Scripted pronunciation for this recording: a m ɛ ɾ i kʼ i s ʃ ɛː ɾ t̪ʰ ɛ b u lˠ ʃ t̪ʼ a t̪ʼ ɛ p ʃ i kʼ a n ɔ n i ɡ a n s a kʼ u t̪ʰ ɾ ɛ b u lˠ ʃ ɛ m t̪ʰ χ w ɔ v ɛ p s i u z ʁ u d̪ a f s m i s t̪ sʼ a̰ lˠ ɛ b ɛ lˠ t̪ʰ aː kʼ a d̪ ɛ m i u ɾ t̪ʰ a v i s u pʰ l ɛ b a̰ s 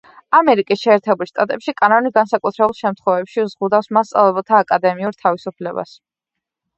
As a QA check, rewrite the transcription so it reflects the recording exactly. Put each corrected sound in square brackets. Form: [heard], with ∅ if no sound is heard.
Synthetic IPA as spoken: a m ɛ ɾ i kʼ i s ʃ ɛː ɾ t̪ʰ ɛ b u lˠ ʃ t̪ʼ a t̪ʼ ɛ p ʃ i kʼ a n ɔ n i ɡ a n s a kʼ u t̪ʰ ɾ ɛ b u lˠ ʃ ɛ m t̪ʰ χ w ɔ v ɛ p [ʃ] i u z ʁ u d̪ a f s m [a] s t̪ sʼ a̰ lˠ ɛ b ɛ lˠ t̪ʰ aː kʼ a d̪ ɛ m i u ɾ t̪ʰ a v i s u pʰ l ɛ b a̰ s